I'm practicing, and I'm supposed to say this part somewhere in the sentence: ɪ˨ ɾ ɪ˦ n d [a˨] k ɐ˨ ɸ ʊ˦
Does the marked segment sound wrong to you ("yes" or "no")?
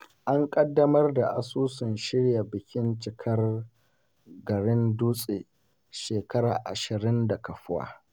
no